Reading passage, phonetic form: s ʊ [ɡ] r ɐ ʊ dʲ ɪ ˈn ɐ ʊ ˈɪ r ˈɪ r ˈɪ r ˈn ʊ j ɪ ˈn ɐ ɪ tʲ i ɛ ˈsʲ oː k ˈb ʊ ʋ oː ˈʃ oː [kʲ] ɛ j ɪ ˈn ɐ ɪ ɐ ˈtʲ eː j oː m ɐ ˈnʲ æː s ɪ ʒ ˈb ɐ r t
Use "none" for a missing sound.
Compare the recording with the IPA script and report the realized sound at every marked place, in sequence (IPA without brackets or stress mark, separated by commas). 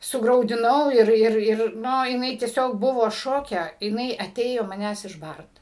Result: ɡ, kʲ